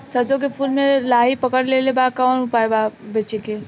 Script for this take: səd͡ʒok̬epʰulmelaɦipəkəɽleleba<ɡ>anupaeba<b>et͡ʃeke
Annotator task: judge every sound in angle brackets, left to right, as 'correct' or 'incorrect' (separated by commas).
incorrect, correct